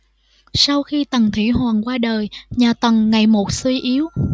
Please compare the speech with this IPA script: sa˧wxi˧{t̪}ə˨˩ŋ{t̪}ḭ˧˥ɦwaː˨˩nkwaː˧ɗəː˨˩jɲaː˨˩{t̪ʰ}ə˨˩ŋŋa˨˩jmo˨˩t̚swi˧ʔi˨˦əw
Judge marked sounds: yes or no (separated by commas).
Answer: yes, no, no